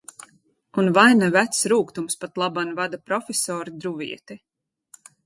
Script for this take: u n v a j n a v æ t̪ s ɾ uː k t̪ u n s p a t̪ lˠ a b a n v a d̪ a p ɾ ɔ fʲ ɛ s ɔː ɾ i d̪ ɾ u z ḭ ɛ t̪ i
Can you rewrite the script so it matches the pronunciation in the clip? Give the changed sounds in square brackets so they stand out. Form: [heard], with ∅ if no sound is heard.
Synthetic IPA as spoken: u n v a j n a v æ t̪ s ɾ uː k t̪ u [m] s p a t̪ lˠ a b a n v a d̪ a p ɾ ɔ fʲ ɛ s ɔː ɾ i d̪ ɾ u [v] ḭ ɛ t̪ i